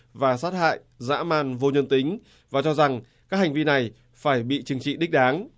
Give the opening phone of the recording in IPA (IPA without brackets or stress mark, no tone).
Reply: v